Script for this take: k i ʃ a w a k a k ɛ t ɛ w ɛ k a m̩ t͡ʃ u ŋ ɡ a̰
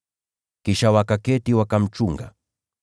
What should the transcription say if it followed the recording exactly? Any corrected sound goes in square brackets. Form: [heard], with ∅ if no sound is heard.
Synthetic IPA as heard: k i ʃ a w a k a k ɛ t [i] w [a] k a m̩ t͡ʃ u ŋ ɡ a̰